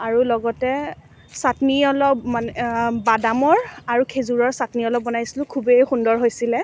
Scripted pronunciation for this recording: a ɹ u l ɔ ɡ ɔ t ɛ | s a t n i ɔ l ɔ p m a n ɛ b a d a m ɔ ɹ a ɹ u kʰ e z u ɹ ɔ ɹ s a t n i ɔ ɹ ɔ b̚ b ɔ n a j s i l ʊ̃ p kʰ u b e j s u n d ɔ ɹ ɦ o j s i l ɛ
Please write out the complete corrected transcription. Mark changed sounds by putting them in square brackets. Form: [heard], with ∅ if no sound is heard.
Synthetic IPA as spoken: a ɹ u l ɔ ɡ ɔ t ɛ | s a t n i ɔ l ɔ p m a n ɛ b a d a m ɔ ɹ a ɹ u kʰ e z u ɹ ɔ ɹ s a t n i ɔ [l] ɔ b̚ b ɔ n a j s i l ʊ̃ [∅] kʰ u b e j [x] u n d ɔ ɹ ɦ o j s i l ɛ